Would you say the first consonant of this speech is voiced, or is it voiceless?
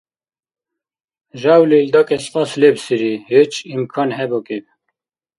voiced